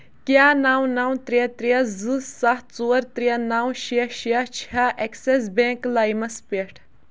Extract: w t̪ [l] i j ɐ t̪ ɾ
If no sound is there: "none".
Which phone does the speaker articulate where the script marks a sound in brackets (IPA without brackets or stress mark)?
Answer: ɾ